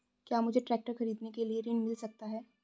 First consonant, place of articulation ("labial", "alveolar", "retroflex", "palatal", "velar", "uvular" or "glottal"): velar